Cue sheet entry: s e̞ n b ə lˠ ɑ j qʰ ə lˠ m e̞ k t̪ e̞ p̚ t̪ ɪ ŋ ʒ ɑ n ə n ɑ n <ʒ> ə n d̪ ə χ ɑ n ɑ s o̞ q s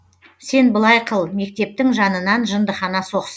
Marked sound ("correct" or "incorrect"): correct